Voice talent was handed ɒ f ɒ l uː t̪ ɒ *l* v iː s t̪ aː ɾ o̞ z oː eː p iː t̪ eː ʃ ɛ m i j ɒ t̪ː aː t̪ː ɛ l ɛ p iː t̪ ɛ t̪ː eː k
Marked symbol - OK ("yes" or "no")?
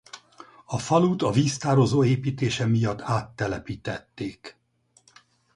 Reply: no